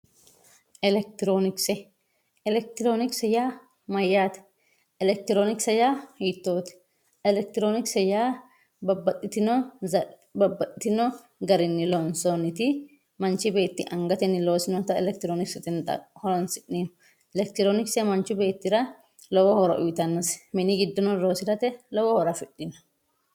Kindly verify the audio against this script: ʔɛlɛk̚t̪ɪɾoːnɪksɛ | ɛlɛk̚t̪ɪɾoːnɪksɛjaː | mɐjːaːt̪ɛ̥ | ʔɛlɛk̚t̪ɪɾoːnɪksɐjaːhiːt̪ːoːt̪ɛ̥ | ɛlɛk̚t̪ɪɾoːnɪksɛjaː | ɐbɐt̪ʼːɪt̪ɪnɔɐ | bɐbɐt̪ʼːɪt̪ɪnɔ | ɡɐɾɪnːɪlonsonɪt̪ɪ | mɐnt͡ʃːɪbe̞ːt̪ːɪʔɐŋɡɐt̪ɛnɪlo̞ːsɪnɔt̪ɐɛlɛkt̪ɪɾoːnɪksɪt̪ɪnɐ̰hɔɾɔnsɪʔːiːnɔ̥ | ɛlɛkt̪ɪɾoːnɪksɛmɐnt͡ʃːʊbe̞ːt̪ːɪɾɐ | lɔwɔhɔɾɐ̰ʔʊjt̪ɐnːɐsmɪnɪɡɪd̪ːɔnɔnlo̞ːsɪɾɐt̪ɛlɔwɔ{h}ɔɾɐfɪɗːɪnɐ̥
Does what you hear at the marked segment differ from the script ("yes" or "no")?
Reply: no